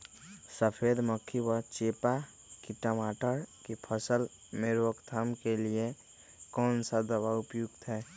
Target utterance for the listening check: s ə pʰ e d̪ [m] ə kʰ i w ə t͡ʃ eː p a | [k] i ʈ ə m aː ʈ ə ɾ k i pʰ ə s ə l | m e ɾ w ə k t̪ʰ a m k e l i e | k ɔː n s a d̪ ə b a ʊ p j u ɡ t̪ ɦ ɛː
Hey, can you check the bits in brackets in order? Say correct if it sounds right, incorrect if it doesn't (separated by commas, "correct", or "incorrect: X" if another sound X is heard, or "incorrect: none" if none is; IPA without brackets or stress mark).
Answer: correct, correct